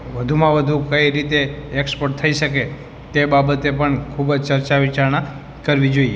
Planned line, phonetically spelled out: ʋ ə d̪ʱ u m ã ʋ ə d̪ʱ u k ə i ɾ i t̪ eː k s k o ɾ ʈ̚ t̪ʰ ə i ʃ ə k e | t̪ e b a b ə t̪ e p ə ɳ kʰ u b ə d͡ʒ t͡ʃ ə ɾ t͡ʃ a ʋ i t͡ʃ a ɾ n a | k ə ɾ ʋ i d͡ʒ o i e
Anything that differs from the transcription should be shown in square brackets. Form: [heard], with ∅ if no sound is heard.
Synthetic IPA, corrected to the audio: ʋ ə d̪ʱ u m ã ʋ ə d̪ʱ u k ə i ɾ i t̪ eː k s [p] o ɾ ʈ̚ t̪ʰ ə i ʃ ə k e | t̪ e b a b ə t̪ e p ə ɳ kʰ u b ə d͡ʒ t͡ʃ ə ɾ t͡ʃ a ʋ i t͡ʃ a ɾ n a | k ə ɾ ʋ i d͡ʒ o i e